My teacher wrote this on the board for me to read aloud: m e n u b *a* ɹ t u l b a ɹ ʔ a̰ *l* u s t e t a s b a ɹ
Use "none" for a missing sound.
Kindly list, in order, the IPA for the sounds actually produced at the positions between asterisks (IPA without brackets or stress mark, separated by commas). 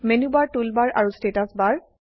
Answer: a, ɹ